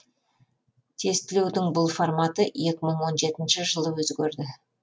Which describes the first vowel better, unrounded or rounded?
unrounded